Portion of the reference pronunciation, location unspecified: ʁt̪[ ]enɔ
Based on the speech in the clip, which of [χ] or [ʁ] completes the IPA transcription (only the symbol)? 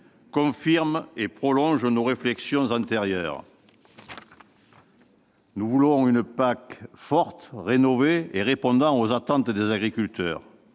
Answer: ʁ